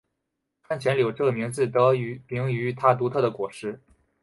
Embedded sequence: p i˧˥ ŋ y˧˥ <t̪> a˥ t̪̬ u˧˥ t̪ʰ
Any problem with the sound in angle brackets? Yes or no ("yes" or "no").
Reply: yes